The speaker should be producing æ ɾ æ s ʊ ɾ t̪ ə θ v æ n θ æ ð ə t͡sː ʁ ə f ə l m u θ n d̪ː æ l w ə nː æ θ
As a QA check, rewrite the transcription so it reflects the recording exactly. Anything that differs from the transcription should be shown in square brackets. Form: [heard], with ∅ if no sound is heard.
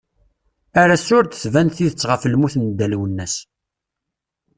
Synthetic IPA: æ ɾ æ s ʊ ɾ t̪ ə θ v æ n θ [i] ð ə t͡sː ʁ ə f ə l m u θ n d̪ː æ l w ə nː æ [s]